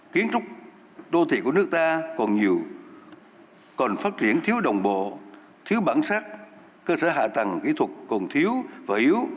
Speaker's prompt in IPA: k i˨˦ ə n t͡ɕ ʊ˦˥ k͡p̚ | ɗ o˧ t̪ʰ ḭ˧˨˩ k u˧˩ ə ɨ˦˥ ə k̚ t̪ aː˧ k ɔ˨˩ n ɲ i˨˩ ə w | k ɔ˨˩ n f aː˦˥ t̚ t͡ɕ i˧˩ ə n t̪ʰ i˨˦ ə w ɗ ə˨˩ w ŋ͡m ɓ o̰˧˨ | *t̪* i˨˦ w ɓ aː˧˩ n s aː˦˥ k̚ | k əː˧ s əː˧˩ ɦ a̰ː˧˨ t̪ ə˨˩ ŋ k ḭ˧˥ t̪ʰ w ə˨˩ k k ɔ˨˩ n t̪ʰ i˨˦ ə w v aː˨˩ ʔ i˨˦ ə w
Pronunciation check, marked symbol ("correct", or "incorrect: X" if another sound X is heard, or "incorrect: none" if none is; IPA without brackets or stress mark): incorrect: t̪ʰ